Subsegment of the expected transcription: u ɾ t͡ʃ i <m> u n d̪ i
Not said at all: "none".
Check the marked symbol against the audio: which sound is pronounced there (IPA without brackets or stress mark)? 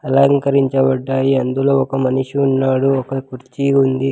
none